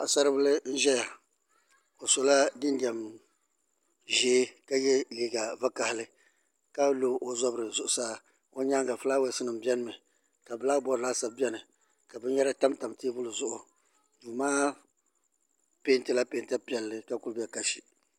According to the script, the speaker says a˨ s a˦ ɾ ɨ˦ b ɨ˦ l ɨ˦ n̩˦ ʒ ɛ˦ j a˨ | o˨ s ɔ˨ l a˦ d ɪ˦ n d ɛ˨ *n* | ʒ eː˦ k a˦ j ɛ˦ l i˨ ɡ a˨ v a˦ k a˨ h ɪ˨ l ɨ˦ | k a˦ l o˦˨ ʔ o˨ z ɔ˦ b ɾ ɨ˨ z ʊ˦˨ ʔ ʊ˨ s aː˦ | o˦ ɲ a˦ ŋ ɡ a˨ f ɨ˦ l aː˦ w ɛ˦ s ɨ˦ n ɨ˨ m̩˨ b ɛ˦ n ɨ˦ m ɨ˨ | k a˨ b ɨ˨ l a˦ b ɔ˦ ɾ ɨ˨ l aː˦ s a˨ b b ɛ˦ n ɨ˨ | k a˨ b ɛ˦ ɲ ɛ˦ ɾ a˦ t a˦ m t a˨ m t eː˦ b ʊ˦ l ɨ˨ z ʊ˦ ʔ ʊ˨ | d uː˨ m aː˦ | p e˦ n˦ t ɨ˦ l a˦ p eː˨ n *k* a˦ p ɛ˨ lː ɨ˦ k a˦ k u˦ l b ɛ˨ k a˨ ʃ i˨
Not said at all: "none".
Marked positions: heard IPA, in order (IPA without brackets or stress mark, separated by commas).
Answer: m, t